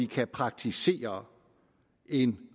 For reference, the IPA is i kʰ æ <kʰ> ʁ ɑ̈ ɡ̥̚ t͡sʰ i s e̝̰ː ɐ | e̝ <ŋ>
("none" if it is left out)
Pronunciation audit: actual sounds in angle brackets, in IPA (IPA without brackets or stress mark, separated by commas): pʰ, n